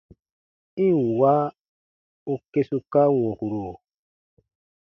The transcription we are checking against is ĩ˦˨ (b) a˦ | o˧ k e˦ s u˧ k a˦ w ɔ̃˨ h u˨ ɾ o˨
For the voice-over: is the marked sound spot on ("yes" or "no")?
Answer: no